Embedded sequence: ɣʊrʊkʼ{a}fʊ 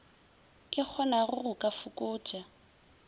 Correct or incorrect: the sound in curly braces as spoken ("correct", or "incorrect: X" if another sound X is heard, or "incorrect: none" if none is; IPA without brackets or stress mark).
correct